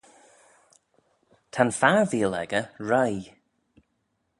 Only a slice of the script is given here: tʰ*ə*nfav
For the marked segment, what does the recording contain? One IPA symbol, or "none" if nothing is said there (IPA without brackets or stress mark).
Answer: a